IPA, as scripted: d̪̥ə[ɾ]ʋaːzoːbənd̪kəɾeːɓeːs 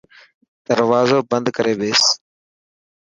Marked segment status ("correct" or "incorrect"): correct